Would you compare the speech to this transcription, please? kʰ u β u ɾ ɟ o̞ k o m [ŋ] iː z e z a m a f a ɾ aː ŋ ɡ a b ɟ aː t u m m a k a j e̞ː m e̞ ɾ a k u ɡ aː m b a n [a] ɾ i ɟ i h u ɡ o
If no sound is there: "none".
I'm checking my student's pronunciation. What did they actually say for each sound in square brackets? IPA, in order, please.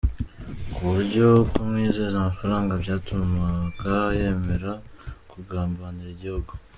ŋ, i

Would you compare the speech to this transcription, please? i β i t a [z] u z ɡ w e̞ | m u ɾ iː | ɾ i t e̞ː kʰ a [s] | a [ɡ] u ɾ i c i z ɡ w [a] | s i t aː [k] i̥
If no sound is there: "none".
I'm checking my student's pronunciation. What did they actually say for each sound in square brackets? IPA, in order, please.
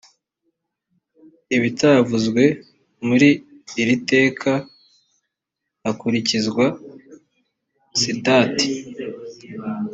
v, none, k, a, t

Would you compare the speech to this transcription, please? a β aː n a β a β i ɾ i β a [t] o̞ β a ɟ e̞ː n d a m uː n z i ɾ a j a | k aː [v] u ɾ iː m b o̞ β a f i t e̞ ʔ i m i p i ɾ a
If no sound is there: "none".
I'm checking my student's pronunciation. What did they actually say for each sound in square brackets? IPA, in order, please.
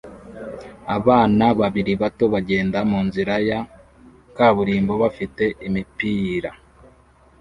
t, β

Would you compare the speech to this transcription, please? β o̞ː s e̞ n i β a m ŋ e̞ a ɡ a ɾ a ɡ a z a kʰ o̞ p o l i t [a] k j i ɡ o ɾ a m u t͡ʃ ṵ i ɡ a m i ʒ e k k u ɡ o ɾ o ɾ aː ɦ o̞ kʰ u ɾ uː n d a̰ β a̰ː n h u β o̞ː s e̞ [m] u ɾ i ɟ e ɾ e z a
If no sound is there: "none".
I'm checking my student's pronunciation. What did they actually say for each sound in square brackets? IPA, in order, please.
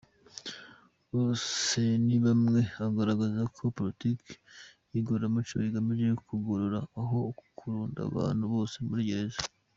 i, m

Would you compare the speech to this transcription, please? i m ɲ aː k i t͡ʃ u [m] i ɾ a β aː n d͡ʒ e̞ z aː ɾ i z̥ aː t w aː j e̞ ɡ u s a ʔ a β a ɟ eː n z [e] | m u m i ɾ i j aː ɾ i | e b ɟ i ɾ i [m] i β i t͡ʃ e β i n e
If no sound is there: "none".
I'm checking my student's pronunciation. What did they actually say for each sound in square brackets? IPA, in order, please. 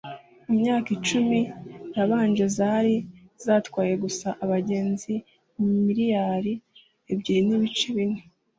m, i, n

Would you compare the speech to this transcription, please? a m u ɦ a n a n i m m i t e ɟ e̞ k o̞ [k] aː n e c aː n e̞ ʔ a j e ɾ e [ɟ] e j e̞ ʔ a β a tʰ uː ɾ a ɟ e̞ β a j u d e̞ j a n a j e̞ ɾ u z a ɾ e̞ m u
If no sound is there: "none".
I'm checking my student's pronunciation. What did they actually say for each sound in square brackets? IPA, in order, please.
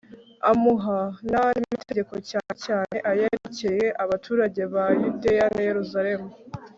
c, c

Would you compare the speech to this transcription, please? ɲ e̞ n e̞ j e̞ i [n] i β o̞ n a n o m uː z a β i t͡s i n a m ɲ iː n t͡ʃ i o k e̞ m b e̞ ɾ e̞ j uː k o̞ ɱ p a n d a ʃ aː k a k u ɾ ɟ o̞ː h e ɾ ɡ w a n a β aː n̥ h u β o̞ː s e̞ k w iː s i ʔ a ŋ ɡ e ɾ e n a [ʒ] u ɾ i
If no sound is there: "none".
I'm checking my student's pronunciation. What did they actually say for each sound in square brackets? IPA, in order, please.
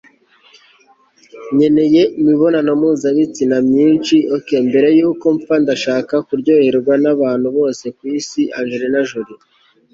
m, ʒ

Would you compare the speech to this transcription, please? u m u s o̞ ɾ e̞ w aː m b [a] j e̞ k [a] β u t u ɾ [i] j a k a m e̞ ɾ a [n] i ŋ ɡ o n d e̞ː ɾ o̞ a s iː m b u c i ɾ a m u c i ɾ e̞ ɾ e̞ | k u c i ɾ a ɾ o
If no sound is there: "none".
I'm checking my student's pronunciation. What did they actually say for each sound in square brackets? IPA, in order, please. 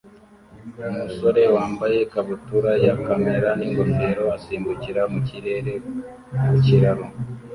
a, a, a, n

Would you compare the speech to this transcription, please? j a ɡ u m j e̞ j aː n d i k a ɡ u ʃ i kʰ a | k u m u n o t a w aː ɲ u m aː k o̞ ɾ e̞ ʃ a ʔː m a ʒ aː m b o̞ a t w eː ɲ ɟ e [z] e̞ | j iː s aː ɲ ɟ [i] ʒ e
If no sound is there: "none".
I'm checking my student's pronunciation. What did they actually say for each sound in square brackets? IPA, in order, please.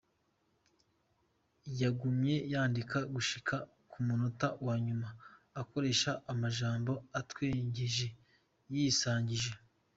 ʒ, i

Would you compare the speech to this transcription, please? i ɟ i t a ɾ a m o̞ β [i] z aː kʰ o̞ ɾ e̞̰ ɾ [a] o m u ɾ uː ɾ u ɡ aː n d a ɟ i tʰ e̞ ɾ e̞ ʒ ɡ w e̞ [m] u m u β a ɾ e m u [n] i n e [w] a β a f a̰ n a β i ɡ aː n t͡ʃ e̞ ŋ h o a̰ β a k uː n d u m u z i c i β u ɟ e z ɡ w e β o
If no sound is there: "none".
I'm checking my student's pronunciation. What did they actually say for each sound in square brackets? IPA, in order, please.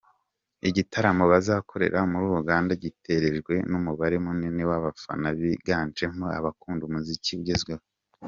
a, a, n, n, w

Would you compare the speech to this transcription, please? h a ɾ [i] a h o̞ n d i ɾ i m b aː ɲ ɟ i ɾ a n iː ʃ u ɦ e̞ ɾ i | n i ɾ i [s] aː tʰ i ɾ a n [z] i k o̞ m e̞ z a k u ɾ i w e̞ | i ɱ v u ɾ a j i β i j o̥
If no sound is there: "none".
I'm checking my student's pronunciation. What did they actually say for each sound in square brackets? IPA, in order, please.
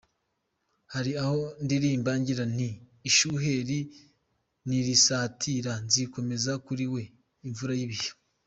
i, s, z

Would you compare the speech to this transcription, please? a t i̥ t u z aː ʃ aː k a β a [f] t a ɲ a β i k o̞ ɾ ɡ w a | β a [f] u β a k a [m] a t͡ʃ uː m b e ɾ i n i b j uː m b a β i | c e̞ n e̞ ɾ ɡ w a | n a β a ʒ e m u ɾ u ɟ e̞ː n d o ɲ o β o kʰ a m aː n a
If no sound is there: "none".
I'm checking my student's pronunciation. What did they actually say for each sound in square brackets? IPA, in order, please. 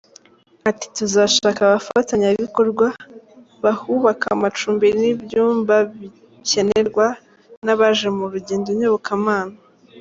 f, h, m

